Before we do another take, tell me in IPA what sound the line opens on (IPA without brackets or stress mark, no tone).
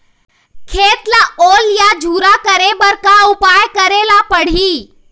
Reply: kʰ